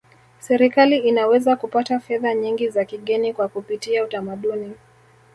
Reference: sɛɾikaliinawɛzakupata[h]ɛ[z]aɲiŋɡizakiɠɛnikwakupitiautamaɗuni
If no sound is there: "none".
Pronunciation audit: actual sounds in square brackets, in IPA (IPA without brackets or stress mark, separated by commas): f, ð